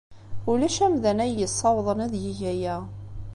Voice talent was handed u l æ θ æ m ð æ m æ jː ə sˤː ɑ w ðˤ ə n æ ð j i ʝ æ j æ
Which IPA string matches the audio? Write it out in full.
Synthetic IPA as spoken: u l æ ʃ æ m ð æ n æ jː ə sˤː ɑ w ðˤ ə n æ ð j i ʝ æ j æ